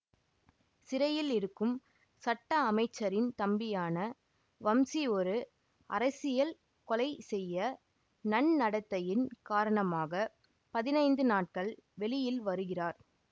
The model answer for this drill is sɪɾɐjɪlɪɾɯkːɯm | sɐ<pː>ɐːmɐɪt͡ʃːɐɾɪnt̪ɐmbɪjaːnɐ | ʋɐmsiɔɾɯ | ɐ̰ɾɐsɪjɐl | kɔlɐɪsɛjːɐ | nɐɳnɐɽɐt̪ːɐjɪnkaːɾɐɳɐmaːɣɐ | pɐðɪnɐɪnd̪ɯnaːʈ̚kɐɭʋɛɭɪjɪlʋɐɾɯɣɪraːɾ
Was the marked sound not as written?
yes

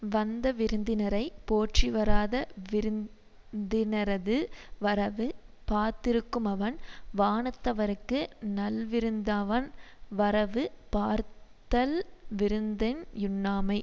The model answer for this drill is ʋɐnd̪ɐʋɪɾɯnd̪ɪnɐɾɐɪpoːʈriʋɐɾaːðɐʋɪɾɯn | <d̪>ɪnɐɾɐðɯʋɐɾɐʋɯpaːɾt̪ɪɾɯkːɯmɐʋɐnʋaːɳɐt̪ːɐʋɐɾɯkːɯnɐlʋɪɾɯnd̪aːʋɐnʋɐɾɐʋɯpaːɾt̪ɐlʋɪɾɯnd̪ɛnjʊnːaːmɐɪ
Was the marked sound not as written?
no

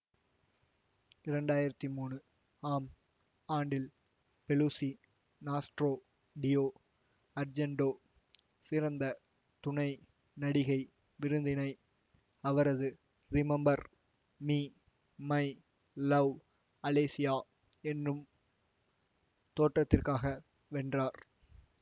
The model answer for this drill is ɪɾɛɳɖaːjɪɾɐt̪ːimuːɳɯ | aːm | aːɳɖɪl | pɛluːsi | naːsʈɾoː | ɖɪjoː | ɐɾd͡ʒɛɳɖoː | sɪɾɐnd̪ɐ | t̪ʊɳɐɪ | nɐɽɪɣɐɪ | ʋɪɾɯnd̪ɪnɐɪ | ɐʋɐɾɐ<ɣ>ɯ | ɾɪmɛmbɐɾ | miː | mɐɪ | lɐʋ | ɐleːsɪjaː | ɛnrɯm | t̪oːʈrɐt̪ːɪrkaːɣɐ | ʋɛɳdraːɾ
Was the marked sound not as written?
yes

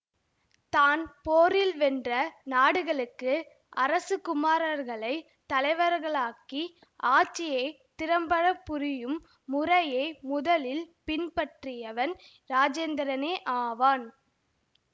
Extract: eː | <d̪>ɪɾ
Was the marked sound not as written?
yes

